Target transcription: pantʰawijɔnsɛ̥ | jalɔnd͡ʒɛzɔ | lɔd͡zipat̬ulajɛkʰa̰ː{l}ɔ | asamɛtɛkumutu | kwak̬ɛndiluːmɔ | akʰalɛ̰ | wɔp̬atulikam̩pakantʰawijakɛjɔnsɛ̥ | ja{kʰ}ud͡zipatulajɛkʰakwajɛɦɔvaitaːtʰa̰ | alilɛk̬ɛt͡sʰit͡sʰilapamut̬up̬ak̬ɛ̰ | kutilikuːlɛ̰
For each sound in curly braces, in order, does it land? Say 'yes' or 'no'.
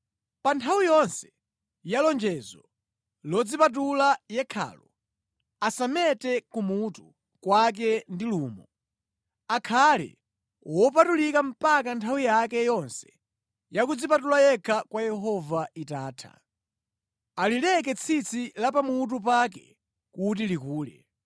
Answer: yes, no

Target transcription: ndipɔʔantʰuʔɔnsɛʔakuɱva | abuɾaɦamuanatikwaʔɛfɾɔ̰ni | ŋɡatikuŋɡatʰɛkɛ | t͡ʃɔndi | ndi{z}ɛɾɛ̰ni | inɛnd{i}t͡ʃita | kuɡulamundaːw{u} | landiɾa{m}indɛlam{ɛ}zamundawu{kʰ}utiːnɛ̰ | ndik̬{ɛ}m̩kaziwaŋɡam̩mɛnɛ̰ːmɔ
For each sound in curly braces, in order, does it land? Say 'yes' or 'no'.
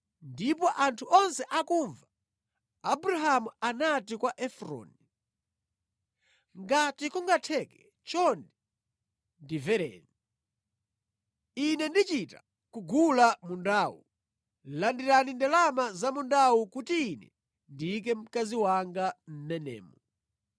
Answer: no, yes, yes, no, no, no, yes

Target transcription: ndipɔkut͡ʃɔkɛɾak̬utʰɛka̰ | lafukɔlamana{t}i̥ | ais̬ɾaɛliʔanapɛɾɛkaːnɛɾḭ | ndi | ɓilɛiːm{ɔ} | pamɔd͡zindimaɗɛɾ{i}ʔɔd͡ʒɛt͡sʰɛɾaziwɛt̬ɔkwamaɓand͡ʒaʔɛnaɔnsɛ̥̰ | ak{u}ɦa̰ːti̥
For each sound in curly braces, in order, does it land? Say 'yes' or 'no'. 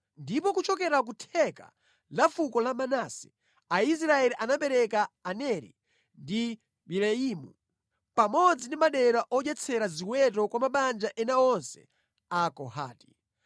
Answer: no, no, no, no

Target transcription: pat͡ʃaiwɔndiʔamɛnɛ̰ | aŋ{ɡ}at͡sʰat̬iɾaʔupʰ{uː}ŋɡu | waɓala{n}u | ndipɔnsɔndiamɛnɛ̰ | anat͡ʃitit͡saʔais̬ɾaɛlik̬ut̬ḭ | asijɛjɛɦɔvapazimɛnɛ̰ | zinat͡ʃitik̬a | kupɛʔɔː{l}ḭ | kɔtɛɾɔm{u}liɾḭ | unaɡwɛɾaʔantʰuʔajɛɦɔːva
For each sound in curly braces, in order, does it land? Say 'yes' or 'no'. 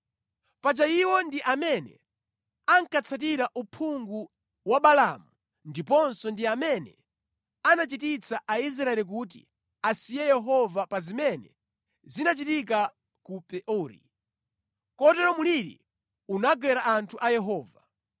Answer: no, no, no, no, yes

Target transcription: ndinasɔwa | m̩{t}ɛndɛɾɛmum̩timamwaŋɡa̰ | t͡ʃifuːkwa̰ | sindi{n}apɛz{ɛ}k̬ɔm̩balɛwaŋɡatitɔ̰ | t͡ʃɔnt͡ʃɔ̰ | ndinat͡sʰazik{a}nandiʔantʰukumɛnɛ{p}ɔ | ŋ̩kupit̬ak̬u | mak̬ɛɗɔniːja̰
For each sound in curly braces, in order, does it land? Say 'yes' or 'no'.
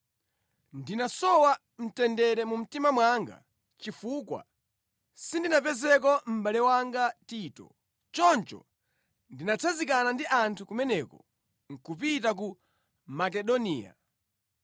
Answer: yes, yes, yes, yes, no

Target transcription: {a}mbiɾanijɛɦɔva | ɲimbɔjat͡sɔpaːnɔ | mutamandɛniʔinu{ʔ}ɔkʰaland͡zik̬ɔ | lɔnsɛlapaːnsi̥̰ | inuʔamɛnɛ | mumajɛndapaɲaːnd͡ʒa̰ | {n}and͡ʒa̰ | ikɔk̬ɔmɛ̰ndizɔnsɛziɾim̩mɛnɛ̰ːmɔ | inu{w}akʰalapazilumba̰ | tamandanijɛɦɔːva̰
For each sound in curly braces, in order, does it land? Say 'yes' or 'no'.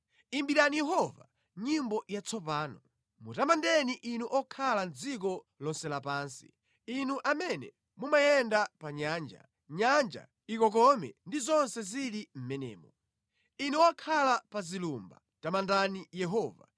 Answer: no, yes, no, yes

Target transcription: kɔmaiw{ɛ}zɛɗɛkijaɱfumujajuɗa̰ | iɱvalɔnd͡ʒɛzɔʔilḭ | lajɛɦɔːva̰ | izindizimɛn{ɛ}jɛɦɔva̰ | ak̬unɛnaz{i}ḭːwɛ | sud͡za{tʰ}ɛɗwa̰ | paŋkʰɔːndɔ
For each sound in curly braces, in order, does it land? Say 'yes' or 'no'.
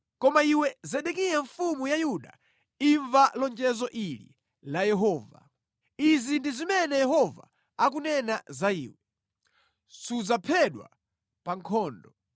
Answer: yes, yes, no, no

